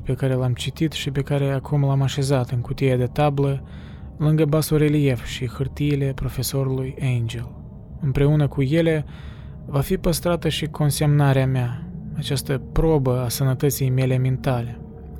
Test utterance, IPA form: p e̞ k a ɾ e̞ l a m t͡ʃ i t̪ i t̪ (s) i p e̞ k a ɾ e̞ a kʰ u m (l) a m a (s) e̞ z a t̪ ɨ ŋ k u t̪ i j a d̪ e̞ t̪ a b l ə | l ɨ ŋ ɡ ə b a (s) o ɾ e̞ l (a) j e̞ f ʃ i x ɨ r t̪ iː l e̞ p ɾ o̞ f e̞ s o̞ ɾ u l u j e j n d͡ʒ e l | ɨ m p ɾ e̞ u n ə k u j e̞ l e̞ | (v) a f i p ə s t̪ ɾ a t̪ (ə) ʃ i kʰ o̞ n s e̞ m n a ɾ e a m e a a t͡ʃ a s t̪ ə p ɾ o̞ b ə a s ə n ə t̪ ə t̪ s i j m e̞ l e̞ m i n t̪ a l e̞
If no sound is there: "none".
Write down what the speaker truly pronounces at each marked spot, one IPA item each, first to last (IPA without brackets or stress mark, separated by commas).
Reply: ʃ, l, ʃ, s, i, v, ə